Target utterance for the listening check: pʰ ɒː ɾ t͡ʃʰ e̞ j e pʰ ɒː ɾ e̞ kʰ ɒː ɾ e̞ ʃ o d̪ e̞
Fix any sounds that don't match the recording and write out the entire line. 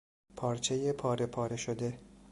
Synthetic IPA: pʰ ɒː ɾ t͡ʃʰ e̞ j e pʰ ɒː ɾ e̞ pʰ ɒː ɾ e̞ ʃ o d̪ e̞